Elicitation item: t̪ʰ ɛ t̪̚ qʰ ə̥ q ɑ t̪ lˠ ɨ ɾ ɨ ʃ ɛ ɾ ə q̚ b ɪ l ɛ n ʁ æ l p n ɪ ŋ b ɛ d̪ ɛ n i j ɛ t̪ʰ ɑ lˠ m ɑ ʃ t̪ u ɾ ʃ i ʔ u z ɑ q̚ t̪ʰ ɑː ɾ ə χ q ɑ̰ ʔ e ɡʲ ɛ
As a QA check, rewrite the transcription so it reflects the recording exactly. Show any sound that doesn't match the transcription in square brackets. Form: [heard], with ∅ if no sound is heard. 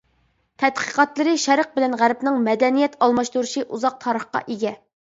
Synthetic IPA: t̪ʰ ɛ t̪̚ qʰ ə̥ q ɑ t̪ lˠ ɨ ɾ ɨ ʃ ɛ ɾ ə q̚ b ɪ l ɛ n ʁ æ [ɾ] p n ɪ ŋ [m] ɛ d̪ ɛ n i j ɛ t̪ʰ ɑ lˠ m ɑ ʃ t̪ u ɾ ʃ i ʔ u z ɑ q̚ t̪ʰ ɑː ɾ ə χ q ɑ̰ ʔ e ɡʲ ɛ